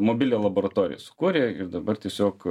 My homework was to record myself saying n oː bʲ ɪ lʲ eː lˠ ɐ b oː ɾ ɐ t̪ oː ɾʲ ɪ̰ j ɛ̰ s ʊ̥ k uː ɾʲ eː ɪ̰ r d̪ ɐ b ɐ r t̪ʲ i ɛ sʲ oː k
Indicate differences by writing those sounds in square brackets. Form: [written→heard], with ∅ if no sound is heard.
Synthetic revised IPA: [n→m] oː bʲ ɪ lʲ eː lˠ ɐ b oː ɾ ɐ t̪ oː ɾʲ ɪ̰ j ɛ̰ s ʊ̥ k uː ɾʲ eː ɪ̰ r d̪ ɐ b ɐ r t̪ʲ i ɛ sʲ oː k